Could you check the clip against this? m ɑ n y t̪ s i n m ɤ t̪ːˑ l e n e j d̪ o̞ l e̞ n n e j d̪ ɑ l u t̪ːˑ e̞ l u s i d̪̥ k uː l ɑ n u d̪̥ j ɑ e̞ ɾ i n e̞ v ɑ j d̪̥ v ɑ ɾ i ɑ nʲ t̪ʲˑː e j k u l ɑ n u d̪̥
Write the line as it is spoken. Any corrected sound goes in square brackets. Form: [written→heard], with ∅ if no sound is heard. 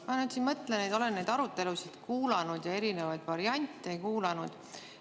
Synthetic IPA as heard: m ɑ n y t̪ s i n m ɤ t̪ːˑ l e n e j d̪ o̞ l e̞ n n e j d̪ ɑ [l→ɾ] u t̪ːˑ e̞ l u s i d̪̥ k uː l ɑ n u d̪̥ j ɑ e̞ ɾ i n e̞ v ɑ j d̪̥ v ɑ ɾ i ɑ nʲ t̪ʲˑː e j k [u→uː] l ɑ n u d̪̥